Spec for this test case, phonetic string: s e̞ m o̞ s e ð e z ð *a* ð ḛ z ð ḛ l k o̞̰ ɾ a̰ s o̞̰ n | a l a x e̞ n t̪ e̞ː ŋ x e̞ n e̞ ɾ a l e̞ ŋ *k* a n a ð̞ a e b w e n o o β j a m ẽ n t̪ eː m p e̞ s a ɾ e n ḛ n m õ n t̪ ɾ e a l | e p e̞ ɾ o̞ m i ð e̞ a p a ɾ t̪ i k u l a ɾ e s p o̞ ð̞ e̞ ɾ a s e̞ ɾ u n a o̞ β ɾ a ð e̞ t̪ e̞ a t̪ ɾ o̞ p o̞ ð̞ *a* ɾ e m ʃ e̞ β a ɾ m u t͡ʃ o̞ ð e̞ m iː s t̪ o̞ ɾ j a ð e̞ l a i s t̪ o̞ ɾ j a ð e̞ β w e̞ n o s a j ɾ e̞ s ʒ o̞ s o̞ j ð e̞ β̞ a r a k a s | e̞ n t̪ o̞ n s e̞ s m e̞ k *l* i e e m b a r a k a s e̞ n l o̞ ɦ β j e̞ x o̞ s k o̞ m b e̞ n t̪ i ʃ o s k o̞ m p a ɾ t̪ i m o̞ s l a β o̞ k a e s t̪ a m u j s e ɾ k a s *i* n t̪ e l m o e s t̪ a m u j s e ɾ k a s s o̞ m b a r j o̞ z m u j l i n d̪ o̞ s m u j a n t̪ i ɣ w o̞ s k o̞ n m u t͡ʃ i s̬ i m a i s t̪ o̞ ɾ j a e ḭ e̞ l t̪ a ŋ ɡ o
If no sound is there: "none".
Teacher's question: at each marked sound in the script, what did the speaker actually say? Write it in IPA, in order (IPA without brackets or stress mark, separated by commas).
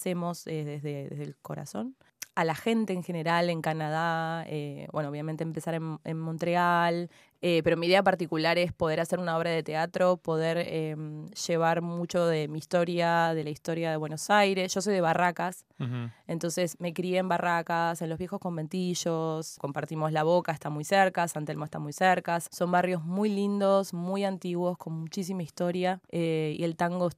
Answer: e, k, e, ɾ, a